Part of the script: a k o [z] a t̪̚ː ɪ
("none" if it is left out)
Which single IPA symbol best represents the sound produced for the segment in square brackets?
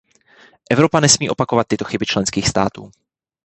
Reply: v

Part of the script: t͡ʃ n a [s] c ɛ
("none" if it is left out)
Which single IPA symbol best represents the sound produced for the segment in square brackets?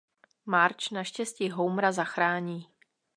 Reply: ʃ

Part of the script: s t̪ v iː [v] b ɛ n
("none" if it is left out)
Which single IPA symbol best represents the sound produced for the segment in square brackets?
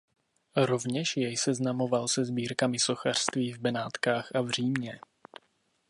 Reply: v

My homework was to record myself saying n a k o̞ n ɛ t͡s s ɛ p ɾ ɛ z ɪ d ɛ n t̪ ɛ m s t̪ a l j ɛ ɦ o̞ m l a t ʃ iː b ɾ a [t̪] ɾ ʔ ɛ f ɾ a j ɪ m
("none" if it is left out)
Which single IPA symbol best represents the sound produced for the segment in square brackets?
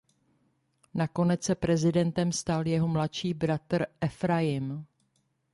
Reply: t̪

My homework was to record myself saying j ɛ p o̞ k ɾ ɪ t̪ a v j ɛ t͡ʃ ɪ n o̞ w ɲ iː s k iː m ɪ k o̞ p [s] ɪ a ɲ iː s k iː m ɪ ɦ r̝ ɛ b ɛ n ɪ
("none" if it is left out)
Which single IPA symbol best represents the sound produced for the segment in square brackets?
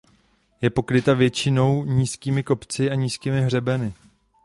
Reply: t͡s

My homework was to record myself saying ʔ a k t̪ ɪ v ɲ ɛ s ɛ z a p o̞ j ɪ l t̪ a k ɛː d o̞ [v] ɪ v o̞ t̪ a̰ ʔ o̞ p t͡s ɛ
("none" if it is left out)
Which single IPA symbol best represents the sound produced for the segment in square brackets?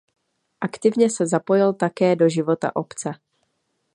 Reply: ʒ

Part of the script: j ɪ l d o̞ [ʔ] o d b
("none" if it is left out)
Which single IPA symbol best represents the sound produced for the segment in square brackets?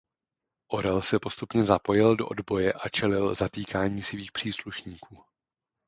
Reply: ʔ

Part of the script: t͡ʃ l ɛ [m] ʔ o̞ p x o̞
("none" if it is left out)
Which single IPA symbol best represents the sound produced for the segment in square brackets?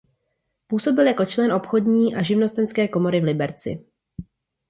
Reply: n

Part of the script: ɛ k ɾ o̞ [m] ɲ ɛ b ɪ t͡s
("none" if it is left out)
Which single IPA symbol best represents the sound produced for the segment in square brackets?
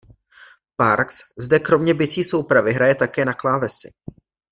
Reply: m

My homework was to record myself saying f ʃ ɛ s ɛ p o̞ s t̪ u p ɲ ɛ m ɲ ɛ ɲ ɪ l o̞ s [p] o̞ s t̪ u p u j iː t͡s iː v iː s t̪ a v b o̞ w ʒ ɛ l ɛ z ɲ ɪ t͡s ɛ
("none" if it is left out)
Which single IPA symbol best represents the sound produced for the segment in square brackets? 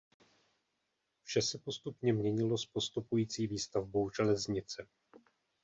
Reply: p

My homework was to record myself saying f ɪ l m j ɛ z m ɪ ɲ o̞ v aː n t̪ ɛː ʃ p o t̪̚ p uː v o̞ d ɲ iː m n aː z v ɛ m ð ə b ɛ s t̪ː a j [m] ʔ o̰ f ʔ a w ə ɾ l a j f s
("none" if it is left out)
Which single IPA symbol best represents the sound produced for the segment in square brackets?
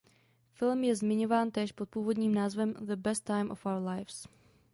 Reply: m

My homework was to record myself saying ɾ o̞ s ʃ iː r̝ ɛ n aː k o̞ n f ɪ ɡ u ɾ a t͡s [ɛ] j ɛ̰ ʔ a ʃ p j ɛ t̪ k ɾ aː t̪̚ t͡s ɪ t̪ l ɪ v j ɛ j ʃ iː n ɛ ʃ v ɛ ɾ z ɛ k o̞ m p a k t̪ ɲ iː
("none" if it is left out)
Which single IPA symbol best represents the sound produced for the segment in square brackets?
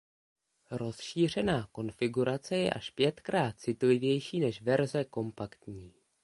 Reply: ɛ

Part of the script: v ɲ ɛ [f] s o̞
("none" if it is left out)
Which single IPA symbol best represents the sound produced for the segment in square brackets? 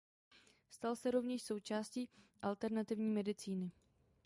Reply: ʃ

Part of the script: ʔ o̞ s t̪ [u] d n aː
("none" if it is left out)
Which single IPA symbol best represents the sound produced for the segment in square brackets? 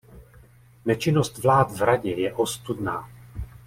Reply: u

